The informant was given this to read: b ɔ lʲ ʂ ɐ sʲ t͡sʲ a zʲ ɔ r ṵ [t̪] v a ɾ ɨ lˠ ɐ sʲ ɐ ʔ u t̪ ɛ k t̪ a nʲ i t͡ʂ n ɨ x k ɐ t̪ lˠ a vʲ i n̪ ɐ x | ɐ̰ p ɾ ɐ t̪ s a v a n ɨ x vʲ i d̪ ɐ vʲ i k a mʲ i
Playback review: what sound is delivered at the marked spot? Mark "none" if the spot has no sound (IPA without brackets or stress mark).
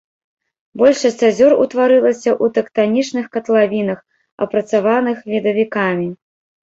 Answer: t̪